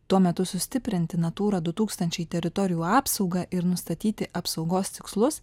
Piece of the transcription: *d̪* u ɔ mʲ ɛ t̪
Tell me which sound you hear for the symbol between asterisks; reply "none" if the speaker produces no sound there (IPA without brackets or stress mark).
t̪